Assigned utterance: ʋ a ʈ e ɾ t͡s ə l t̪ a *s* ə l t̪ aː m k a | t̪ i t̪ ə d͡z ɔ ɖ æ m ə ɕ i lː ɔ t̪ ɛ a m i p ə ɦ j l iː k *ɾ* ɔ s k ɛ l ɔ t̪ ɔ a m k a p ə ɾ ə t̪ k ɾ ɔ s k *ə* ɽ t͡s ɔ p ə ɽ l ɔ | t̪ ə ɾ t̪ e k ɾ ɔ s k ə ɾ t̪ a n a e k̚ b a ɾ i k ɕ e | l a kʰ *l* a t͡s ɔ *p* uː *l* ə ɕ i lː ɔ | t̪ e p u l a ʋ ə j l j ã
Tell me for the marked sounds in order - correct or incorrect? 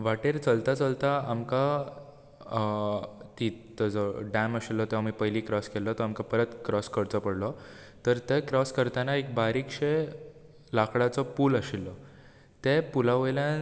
incorrect: t͡s, correct, correct, incorrect: ɽ, correct, correct

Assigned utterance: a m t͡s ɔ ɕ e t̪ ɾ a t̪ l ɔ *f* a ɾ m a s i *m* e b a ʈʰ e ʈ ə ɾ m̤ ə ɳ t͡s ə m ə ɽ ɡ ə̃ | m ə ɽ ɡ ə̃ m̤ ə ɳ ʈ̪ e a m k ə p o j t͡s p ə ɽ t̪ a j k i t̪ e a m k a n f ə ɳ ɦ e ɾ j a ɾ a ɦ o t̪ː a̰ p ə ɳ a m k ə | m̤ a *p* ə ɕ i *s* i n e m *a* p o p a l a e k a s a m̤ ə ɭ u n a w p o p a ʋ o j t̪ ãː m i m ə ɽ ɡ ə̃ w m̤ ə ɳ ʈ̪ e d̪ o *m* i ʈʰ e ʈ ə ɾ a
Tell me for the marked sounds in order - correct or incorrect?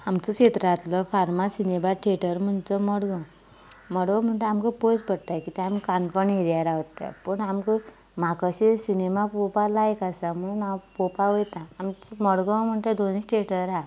correct, incorrect: n, incorrect: k, correct, correct, incorrect: n

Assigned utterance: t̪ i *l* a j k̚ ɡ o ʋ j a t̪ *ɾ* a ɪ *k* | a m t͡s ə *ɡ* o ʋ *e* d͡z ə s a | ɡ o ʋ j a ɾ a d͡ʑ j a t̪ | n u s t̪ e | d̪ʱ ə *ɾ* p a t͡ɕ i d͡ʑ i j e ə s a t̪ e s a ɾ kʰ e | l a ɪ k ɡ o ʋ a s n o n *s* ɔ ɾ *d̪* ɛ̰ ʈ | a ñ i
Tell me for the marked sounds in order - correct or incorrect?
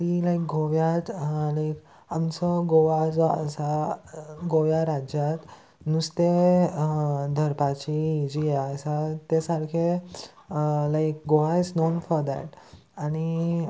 correct, incorrect: l, correct, correct, incorrect: a, correct, incorrect: f, correct

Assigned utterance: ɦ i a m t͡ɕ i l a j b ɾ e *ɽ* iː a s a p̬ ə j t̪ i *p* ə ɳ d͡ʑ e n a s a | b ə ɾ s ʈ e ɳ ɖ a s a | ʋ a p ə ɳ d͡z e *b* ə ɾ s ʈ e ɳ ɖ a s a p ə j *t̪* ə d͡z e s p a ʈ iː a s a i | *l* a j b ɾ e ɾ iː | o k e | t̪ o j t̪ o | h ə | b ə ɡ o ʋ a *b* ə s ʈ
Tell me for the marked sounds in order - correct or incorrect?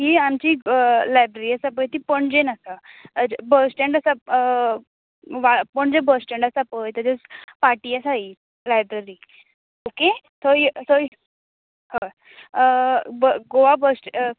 incorrect: ɾ, correct, correct, correct, correct, correct

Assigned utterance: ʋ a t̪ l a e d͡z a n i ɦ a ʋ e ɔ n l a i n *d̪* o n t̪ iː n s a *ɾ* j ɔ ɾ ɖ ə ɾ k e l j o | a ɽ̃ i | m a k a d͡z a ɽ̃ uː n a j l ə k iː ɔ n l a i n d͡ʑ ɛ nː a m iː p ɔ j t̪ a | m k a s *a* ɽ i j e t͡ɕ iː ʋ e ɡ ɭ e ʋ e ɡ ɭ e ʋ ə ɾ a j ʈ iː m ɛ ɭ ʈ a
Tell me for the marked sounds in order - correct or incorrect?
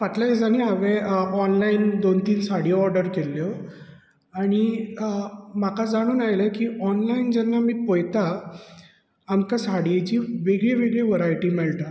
correct, incorrect: ɽ, correct

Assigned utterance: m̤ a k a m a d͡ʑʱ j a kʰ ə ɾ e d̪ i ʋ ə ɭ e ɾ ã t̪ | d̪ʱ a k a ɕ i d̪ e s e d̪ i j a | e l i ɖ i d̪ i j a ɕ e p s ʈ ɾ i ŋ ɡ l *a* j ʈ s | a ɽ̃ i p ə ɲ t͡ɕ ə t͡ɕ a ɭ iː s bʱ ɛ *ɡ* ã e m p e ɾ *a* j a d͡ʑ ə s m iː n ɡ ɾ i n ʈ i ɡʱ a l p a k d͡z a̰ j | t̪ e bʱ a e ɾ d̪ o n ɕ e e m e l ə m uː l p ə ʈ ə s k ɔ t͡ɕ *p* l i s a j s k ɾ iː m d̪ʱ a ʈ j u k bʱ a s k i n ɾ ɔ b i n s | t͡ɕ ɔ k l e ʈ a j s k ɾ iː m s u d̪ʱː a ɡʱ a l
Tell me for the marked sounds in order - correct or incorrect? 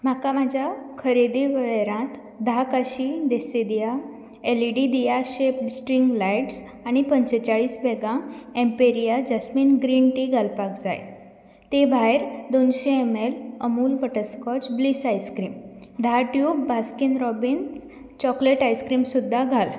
correct, correct, incorrect: i, incorrect: b

